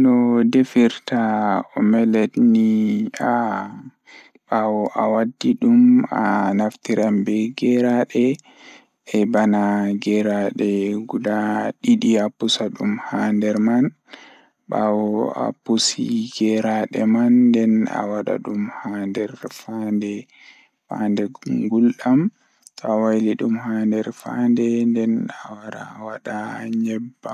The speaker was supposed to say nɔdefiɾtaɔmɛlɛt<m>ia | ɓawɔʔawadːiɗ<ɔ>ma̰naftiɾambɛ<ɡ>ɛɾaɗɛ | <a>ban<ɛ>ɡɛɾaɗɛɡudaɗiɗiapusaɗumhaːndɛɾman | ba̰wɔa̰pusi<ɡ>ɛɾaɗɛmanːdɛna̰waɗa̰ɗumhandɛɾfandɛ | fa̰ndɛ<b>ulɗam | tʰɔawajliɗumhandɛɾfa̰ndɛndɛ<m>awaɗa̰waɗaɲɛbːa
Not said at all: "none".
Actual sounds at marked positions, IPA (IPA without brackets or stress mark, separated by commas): n, u, ɡ, ɛ, a, ɡ, ɡ, n